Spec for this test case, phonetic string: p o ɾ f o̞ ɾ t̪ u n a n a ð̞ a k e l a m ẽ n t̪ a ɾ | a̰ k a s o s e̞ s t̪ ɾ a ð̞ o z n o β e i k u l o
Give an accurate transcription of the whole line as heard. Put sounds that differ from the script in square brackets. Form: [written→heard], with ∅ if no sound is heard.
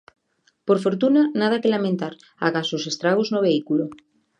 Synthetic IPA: p o ɾ f o̞ ɾ t̪ u n a n a ð̞ a k e l a m ẽ n t̪ a ɾ | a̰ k a s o s e̞ s t̪ ɾ a [ð̞→ɣ̞] o z n o β e i k u l o